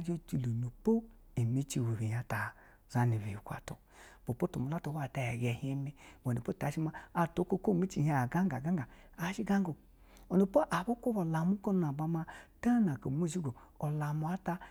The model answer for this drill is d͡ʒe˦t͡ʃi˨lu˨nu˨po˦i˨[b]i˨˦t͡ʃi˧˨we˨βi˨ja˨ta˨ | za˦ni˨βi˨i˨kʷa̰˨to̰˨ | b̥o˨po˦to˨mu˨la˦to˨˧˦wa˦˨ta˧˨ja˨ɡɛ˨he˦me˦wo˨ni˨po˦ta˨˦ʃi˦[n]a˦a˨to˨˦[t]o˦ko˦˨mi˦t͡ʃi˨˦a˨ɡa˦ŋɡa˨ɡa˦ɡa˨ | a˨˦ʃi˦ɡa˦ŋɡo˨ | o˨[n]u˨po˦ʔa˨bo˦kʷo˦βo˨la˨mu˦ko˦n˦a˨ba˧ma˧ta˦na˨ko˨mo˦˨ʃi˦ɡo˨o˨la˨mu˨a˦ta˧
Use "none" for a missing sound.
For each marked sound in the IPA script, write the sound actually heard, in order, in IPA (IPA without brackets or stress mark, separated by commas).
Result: m, m, k, n